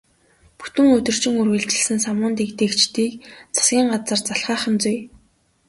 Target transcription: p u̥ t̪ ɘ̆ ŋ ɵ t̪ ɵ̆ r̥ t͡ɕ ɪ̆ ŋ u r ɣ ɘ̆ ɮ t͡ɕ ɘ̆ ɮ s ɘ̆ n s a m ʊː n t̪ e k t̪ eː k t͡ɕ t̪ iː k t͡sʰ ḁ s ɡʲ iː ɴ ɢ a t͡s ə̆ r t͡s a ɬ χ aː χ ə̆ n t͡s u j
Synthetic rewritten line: p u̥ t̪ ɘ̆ ŋ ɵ t̪ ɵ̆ r̥ t͡ɕ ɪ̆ ŋ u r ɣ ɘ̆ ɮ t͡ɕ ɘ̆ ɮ s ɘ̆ n s a m ʊː n t̪ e k t̪ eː k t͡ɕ t̪ iː k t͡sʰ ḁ s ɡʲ iː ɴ ɢ a t͡s ə̆ r t͡s a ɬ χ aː χ ə̆ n t͡s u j

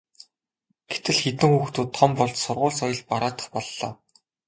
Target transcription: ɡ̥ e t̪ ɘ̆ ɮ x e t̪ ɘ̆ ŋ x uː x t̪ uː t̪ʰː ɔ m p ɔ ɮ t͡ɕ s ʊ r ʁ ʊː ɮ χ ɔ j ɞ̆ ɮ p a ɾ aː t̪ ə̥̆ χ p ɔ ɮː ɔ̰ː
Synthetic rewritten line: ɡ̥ e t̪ ɘ̆ ɮ x e t̪ ɘ̆ ŋ x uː x t̪ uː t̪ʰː ɔ m p ɔ ɮ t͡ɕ s ʊ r ʁ ʊː ɮ s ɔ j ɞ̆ ɮ p a ɾ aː t̪ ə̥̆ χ p ɔ ɮː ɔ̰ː

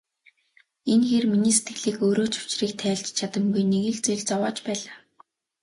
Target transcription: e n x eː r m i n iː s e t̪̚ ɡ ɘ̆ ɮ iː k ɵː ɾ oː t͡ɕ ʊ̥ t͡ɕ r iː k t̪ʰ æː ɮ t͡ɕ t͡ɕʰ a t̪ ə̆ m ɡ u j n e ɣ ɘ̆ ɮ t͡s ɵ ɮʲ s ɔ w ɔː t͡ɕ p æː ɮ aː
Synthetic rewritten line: e n x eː r m i n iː s e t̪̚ ɡ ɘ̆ ɮ iː k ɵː ɾ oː t͡ɕ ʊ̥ t͡ɕ r iː k t̪ʰ æː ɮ t͡ɕ t͡ɕʰ a t̪ ə̆ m ɡ u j n e ɣ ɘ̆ ɮ t͡s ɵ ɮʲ t͡s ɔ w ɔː t͡ɕ p æː ɮ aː

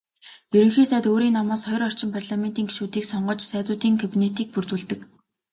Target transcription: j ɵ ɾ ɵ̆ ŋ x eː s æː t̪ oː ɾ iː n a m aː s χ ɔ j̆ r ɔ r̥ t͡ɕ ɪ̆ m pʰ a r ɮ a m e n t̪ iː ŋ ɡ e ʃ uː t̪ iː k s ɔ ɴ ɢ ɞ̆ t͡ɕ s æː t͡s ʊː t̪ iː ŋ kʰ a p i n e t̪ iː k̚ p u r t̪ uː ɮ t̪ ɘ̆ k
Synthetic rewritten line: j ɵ ɾ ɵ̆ ŋ x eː s æː t̪ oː ɾ iː n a m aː s χ ɔ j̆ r ɔ r̥ t͡ɕ ɪ̆ m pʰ a r ɮ a m e n t̪ iː ŋ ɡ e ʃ uː t̪ iː k s ɔ ɴ ɢ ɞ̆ t͡ɕ s æː t͡s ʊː t̪ iː ŋ kʰ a p i n e t̪ iː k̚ p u r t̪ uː ɮ t̪ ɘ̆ k

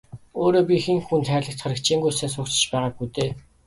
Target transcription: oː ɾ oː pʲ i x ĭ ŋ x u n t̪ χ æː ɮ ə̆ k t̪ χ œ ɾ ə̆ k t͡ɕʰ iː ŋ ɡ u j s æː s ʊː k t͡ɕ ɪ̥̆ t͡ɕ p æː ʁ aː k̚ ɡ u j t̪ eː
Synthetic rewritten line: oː ɾ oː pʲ i x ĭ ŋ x u n t̪ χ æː ɮ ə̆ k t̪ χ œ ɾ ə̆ k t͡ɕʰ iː ŋ ɡ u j s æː s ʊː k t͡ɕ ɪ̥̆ t͡ɕ p æː ʁ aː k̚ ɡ u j t̪ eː

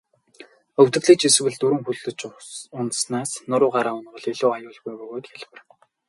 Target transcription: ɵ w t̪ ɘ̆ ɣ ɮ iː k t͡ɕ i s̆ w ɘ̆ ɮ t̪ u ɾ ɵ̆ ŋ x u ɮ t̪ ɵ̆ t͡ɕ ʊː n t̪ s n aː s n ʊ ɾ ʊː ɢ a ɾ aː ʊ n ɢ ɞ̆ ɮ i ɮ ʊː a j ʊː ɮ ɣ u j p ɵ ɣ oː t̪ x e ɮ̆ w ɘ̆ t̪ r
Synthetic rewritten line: ɵ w t̪ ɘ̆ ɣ ɮ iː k t͡ɕ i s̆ w ɘ̆ ɮ t̪ u ɾ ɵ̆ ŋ x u ɮ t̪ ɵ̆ t͡ɕ ʊ n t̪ s n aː s n ʊ ɾ ʊː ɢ a ɾ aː ʊ n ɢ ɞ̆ ɮ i ɮ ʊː a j ʊː ɮ ɣ u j p ɵ ɣ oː t̪ x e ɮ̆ w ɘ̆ r

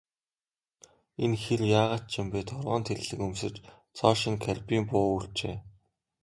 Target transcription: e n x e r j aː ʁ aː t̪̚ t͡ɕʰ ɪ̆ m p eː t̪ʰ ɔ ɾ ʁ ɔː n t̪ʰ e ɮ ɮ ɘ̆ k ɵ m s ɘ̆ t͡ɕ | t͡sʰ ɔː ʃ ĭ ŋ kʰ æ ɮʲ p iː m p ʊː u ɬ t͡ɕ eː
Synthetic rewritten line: e n x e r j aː ʁ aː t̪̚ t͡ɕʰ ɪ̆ m p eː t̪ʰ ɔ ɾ ʁ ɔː n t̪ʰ e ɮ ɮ ɘ̆ k ɵ m s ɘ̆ t͡ɕ | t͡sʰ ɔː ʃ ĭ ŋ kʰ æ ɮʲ p iː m p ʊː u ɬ t͡ɕ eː

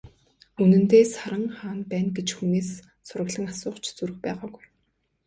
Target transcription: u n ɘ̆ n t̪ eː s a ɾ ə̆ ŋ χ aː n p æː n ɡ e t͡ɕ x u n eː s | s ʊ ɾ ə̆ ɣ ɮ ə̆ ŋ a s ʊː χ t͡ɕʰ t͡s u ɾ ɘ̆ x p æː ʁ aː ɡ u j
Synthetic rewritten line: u n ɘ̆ n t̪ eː s a ɾ ə̆ ŋ χ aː n p æː n ɡ e t͡ɕ x u n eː s | s ʊ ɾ ə̆ ɣ ɮ ə̆ ŋ a s ʊː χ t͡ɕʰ t͡s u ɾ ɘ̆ x p æː ʁ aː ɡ u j

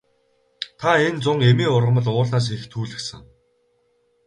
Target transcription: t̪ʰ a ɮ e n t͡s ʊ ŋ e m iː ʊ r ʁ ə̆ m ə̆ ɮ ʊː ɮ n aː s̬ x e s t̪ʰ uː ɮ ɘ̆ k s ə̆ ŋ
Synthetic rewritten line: t̪ʰ a e n t͡s ʊ ŋ e m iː ʊ r ʁ ə̆ m ə̆ ɮ ʊː ɮ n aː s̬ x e x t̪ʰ uː ɮ ɘ̆ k s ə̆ ŋ

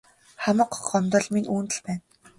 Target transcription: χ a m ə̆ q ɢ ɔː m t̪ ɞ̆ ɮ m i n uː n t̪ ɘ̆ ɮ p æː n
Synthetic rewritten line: χ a m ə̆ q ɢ ɔ m t̪ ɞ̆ ɮ m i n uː n t̪ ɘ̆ ɮ p æː n

